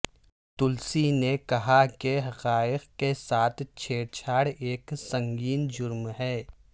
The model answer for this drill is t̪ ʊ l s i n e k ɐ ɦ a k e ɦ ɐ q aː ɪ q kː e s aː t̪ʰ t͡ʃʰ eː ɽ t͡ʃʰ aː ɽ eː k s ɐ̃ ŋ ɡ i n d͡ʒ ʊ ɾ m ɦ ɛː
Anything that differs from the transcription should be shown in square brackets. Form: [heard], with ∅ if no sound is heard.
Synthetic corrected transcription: t̪ ʊ l s i n e k ɐ ɦ a k e ɦ ɐ q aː ɪ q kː e s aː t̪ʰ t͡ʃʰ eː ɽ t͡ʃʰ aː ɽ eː k s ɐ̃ ŋ ɡ [iː] n d͡ʒ ʊ ɾ m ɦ ɛː